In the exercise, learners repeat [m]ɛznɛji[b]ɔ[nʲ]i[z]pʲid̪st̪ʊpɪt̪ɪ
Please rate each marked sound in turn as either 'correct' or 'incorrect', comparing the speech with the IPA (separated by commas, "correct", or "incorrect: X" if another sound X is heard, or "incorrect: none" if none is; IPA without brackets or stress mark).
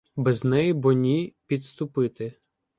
incorrect: b, correct, correct, incorrect: none